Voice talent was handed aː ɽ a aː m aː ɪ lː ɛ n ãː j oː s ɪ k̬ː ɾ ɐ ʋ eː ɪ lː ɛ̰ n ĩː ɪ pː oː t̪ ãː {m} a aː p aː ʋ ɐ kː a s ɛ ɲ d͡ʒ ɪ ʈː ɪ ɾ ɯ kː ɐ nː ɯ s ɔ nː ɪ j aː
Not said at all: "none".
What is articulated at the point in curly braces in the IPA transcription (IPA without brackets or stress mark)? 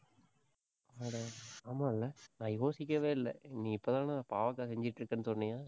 n